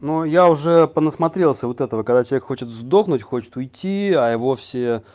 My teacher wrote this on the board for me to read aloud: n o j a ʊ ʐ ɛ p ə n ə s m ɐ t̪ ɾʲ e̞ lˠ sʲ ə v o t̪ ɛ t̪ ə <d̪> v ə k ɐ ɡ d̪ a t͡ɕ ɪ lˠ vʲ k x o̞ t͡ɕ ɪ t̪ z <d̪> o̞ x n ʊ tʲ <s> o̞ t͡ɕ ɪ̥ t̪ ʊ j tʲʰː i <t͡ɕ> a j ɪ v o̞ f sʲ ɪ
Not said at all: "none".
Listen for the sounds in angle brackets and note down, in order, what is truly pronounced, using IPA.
none, d̪, x, none

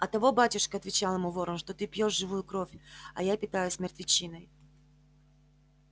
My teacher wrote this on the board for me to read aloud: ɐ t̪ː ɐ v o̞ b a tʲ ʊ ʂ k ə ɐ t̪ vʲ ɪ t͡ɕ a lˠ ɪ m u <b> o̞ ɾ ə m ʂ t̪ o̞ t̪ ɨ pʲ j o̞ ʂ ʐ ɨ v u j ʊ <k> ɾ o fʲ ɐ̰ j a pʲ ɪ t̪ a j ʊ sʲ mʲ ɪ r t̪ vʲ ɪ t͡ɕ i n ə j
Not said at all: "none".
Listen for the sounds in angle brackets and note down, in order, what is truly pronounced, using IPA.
v, k

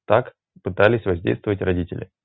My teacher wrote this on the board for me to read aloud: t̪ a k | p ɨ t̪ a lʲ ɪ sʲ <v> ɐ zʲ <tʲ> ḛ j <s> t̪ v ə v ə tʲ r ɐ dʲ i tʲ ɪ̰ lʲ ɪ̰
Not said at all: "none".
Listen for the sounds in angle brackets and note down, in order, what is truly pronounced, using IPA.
v, dʲ, s

